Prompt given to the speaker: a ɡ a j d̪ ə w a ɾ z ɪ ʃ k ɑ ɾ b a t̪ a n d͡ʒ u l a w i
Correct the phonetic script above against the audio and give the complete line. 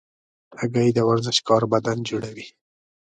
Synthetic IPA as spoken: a ɡ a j d̪ ə w a ɾ z ɪ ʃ k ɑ ɾ b a d̪ a n d͡ʒ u ɽ a w i